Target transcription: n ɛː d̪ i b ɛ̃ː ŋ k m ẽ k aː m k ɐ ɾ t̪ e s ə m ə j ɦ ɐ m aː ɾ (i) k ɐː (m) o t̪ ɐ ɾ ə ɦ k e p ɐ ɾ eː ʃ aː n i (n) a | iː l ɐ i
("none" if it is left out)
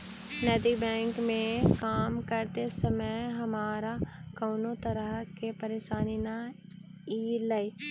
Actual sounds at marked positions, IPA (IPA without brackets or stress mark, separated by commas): a, n, n